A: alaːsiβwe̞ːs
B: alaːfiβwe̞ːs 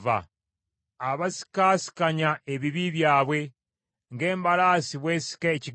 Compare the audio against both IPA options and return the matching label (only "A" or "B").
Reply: A